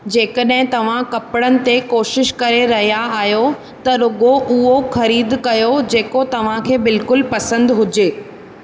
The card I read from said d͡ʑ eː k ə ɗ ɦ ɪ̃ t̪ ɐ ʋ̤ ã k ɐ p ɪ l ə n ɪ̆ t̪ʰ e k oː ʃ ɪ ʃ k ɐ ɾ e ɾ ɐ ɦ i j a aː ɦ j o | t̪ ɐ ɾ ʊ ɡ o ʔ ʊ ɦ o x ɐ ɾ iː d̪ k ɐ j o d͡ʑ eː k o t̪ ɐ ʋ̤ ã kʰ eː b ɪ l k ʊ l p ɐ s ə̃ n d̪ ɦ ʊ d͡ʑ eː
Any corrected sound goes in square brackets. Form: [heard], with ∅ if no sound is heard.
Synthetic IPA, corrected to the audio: d͡ʑ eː k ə ɗ ɦ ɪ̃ t̪ ɐ ʋ̤ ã k ɐ p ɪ [ɽ] ə n ɪ̆ [t̪] e k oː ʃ ɪ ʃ k ɐ ɾ e ɾ ɐ ɦ i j a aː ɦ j o | t̪ ɐ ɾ ʊ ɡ o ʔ ʊ ɦ o x ɐ ɾ iː d̪ k ɐ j o d͡ʑ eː k o t̪ ɐ ʋ̤ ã kʰ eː b ɪ l k ʊ l p ɐ s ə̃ n d̪ ɦ ʊ d͡ʑ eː